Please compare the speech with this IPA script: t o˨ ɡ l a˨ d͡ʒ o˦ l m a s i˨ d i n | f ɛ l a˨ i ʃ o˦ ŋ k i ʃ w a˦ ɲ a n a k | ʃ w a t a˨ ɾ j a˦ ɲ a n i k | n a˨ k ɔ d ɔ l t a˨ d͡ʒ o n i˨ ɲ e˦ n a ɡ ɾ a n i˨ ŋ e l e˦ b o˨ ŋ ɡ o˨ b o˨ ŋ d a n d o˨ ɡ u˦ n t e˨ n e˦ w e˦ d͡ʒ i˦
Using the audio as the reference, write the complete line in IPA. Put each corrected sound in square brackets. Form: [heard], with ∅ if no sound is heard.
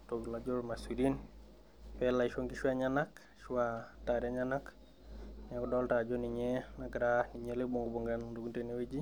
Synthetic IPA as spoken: t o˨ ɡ l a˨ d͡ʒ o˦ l m a s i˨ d i n | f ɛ l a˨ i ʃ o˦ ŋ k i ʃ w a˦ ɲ a n a k | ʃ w a t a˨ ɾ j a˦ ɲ a n [a] k | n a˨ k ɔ d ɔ l t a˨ d͡ʒ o n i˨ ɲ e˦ n a ɡ ɾ a n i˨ [ɲ] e l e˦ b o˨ ŋ ɡ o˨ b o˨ ŋ [ɡ] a n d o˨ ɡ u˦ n t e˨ n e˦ w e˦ d͡ʒ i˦